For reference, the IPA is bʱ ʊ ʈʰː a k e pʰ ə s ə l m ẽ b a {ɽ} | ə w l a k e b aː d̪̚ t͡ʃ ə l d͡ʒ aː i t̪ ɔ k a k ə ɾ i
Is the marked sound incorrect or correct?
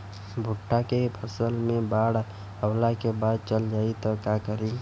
correct